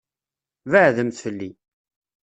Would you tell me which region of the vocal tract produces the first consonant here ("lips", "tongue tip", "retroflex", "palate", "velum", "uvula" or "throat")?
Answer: lips